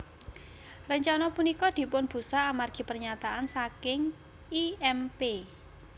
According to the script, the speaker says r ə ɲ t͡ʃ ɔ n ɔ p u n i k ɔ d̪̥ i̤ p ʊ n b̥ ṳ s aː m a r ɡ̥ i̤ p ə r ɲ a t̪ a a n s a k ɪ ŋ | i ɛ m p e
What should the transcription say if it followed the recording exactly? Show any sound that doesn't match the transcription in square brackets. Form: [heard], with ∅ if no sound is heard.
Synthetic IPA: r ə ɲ t͡ʃ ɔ n ɔ p u n i k ɔ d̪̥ i̤ p ʊ n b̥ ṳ s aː m a r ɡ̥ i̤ p ə r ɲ a t̪ a a n s a k ɪ ŋ | i ɛ m p e